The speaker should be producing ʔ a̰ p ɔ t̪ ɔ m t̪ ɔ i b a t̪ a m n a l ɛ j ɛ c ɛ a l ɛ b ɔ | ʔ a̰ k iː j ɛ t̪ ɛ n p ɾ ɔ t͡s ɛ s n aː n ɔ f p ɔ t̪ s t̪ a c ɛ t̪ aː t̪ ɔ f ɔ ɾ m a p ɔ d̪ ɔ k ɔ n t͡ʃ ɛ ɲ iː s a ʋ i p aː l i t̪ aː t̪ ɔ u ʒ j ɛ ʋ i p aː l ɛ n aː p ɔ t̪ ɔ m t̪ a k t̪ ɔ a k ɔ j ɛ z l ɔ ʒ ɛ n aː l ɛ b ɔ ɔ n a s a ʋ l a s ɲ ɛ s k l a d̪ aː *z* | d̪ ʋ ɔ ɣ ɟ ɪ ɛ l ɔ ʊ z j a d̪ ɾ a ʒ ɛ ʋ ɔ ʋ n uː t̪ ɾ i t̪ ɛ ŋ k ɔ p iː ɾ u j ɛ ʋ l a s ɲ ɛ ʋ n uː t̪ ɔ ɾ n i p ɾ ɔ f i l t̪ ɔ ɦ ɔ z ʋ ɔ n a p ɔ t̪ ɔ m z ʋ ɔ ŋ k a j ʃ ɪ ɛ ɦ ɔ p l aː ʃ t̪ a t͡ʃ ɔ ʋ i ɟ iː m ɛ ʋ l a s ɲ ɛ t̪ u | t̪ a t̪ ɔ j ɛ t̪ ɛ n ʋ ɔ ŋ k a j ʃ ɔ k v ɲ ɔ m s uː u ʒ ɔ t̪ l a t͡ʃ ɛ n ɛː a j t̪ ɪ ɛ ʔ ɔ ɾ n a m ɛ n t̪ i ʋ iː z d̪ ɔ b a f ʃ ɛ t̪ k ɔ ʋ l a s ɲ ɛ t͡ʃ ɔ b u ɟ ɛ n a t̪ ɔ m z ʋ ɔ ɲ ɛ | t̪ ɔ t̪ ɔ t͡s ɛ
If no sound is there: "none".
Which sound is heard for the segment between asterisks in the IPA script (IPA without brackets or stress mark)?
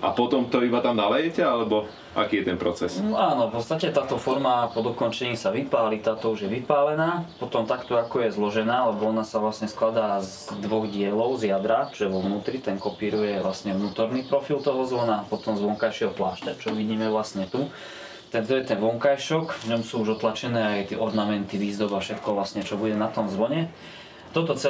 z